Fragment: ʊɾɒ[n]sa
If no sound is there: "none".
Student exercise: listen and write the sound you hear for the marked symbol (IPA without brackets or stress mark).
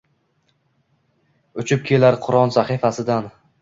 n